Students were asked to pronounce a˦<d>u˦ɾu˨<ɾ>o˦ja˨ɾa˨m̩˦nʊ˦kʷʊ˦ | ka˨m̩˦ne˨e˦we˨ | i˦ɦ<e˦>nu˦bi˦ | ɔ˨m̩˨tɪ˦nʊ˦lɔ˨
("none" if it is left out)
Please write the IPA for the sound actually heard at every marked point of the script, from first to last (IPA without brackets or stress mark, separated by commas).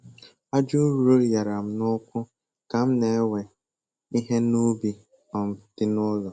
d͡ʒ, ɾ, e˦